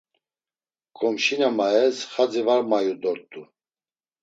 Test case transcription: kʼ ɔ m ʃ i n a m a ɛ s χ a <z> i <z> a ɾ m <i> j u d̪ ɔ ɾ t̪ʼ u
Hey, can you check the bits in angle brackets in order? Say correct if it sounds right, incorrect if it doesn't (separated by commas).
incorrect, incorrect, incorrect